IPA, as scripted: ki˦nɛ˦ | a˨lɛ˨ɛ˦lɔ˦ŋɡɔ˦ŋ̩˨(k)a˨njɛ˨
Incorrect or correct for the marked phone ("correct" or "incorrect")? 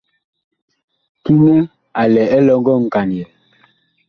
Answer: correct